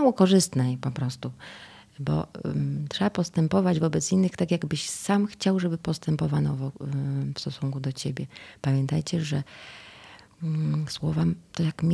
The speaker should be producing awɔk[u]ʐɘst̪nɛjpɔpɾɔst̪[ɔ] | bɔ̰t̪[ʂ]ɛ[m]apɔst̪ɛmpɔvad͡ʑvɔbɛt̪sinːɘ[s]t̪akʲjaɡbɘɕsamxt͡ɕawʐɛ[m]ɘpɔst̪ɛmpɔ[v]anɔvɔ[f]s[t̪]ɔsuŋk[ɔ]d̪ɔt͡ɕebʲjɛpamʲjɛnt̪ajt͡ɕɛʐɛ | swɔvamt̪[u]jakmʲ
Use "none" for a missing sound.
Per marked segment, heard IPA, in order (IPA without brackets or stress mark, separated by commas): ɔ, u, ʂ, b, x, b, v, f, t̪, u, ɔ